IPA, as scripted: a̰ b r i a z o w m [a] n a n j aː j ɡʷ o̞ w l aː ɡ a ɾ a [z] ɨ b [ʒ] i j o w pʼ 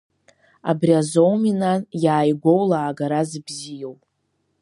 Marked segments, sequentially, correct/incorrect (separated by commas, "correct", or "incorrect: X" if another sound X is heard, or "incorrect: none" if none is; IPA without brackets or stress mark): incorrect: i, correct, incorrect: z